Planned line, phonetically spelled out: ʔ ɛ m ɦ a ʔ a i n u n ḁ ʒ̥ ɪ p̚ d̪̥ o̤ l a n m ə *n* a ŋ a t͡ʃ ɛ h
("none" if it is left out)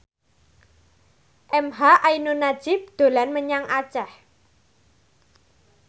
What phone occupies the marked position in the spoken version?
ɲ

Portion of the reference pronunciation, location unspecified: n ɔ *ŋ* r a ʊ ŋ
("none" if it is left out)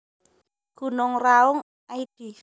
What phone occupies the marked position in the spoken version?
ŋ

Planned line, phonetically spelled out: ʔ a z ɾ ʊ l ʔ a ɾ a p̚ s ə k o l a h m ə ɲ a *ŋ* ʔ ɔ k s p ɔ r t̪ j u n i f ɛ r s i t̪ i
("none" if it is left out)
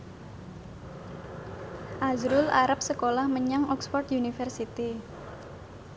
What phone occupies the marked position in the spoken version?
ŋ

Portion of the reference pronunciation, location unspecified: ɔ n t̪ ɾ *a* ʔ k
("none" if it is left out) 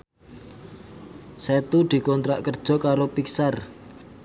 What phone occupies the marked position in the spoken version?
a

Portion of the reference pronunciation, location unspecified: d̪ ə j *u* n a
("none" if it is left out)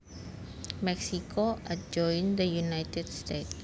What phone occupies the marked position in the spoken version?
u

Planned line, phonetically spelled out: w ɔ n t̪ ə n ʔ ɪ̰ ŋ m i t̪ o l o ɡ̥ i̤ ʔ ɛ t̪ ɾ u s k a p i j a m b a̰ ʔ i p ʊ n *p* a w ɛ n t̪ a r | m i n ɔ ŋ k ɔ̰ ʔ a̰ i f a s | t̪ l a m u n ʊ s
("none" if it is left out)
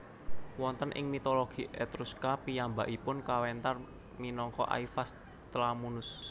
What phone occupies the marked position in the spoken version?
k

